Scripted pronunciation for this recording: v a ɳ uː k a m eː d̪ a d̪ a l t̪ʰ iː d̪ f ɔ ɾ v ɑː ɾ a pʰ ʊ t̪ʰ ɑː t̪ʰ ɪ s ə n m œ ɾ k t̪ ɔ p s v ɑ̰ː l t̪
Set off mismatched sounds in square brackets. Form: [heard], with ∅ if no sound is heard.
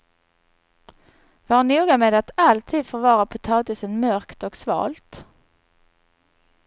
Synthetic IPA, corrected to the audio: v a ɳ uː [ɡ] a m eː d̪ a [t̪] a l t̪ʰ iː d̪ f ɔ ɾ v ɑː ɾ a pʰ ʊ t̪ʰ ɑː [t̪] ɪ s ə n m œ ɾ k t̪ ɔ [k] s v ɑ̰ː l t̪